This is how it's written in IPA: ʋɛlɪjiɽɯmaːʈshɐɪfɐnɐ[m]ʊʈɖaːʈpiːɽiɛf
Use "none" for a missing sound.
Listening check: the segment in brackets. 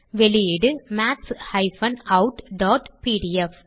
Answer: none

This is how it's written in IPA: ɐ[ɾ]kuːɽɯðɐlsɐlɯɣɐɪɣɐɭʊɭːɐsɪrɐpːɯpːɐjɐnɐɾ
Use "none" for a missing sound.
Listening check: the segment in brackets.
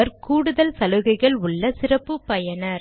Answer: ɾ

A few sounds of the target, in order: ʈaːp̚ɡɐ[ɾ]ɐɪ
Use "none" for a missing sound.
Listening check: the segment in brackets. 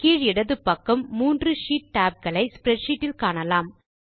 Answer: ɭ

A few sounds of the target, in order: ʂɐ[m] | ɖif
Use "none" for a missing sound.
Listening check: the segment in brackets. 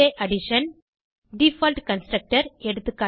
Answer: n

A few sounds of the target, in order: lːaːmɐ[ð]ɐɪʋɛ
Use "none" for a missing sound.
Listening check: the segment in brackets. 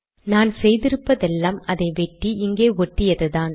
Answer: ð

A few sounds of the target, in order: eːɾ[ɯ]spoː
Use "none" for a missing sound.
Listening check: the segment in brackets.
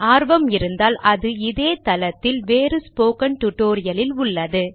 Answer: ɯ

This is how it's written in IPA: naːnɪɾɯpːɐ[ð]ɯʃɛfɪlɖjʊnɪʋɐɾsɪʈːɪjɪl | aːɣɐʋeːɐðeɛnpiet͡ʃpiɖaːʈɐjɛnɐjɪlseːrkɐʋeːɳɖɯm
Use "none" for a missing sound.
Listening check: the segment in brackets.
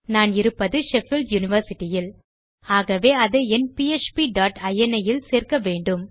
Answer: ð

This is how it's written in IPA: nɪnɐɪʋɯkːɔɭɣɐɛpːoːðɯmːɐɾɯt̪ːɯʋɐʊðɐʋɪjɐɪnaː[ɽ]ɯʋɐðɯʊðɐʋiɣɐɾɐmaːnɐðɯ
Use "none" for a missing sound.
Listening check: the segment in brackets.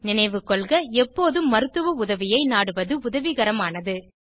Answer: ɽ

